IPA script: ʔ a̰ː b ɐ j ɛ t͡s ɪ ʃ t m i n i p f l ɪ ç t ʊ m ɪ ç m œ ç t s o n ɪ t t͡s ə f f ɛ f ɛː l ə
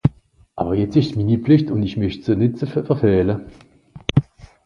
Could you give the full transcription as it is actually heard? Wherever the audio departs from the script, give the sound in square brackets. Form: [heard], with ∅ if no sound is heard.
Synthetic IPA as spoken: ʔ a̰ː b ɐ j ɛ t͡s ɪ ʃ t m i n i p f l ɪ ç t ʊ [n] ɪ ç m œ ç t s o n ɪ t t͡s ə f f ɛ f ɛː l ə